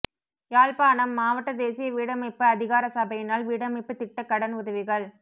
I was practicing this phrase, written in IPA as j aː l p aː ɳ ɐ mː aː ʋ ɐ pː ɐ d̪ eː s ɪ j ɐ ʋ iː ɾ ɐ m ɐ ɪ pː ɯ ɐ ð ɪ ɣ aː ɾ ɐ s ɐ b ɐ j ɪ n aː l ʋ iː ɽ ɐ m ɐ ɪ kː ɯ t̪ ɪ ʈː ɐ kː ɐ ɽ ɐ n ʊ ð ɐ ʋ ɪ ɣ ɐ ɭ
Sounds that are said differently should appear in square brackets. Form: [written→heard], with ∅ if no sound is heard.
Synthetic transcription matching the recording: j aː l p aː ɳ ɐ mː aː ʋ ɐ [pː→ʈː] ɐ d̪ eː s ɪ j ɐ ʋ iː [ɾ→ɽ] ɐ m ɐ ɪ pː ɯ ɐ ð ɪ ɣ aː ɾ ɐ s ɐ b ɐ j ɪ n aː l ʋ iː ɽ ɐ m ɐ ɪ [kː→pː] ɯ t̪ ɪ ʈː ɐ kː ɐ ɽ ɐ n ʊ ð ɐ ʋ ɪ ɣ ɐ ɭ